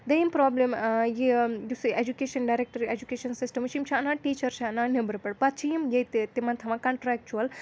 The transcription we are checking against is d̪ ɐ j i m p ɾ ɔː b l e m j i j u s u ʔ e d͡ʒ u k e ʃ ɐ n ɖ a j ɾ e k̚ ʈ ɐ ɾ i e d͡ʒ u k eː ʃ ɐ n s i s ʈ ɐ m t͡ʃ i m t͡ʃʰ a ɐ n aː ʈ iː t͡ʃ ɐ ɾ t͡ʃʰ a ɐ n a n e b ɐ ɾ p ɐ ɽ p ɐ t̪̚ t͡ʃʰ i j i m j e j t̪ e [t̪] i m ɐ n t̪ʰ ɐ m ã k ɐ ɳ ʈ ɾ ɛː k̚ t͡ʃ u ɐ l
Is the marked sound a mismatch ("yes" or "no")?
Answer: no